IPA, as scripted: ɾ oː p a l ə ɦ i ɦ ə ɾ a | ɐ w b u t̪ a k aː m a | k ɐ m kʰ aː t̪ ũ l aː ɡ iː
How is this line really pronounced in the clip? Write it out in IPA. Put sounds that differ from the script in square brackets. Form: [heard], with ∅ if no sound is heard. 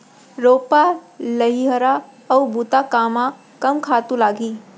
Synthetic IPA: ɾ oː p a l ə ɦ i ɦ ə ɾ a | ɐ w b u t̪ a k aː m a | k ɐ m kʰ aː t̪ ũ l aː ɡ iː